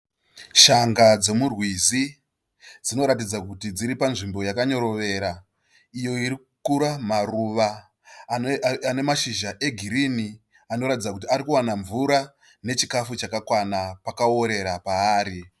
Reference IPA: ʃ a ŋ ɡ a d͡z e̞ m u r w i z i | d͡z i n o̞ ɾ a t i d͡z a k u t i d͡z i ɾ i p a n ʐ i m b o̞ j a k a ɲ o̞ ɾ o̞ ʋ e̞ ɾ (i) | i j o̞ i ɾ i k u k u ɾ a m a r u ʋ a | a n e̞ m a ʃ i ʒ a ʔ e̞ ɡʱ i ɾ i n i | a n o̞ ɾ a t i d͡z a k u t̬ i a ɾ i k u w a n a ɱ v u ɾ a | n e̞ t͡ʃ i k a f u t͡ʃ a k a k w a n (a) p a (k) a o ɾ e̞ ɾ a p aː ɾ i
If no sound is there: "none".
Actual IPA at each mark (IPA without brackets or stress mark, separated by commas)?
a, a, k